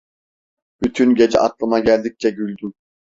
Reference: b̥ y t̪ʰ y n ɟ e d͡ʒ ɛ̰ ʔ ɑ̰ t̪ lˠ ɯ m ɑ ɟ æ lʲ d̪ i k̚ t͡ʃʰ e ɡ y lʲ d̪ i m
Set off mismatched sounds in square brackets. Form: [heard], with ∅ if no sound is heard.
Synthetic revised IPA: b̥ y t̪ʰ y n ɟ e d͡ʒ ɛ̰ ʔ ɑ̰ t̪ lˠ ɯ m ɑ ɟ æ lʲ d̪ i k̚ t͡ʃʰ [ɛ] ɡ y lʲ d̪ [y] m